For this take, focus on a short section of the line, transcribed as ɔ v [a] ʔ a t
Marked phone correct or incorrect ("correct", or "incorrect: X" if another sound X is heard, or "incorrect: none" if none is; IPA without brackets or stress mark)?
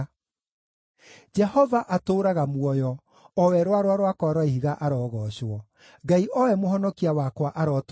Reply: correct